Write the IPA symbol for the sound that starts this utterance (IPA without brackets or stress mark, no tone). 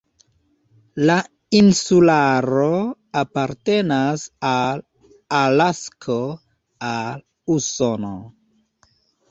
l